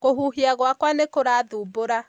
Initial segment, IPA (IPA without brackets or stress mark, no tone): k